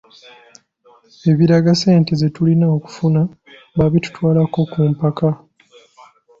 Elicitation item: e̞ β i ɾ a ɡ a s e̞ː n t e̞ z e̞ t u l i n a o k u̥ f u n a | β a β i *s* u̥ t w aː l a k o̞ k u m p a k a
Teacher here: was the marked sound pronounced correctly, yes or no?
no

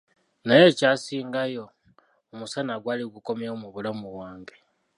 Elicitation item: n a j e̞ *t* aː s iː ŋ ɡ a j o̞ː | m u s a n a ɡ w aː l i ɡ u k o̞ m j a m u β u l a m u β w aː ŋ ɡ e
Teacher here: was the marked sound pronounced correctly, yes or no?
no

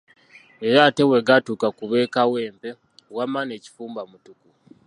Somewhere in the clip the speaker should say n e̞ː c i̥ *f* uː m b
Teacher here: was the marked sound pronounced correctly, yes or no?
yes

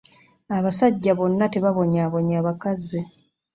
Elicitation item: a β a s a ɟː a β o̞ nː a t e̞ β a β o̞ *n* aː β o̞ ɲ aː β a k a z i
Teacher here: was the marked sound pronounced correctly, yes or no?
no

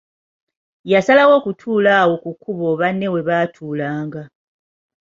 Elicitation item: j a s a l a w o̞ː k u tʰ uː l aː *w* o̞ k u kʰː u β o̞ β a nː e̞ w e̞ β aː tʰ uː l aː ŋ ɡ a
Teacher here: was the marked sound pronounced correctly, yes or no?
yes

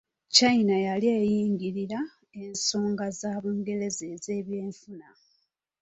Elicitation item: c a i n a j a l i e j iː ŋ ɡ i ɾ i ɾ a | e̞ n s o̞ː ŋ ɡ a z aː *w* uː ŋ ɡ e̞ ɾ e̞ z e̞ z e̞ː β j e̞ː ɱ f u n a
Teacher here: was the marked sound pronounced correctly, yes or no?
no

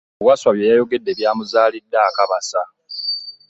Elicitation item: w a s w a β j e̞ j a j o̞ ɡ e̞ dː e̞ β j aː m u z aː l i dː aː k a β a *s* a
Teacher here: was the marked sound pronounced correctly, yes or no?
yes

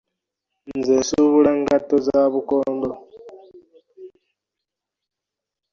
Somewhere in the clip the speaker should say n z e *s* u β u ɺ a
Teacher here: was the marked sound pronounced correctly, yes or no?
yes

